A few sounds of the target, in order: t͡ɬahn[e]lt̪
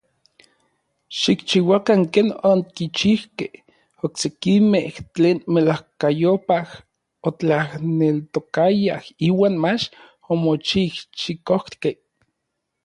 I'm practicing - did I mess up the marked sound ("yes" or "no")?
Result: no